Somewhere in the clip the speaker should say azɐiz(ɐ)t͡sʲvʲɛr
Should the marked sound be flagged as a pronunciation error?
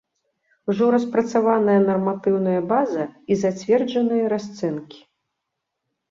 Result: yes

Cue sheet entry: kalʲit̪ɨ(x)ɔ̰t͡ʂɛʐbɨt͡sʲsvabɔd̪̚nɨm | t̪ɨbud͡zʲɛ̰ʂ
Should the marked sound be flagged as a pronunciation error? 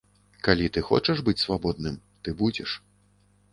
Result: no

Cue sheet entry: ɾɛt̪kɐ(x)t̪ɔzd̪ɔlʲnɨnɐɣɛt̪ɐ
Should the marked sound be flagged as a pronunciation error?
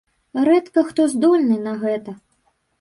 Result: no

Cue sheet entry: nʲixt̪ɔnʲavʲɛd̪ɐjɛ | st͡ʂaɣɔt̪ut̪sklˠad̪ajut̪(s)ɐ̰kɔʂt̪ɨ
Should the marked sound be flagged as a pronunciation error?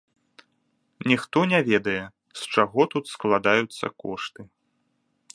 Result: yes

